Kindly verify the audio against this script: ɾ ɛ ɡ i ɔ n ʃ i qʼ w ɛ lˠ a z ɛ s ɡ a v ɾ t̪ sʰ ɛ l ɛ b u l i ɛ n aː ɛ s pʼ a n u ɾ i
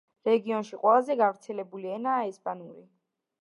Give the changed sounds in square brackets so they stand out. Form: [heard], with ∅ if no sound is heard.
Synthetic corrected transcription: ɾ ɛ ɡ i ɔ n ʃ i qʼ w ɛ lˠ a z ɛ [∅] ɡ a v ɾ t̪ sʰ ɛ l ɛ b u l i ɛ n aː ɛ s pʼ a n u ɾ i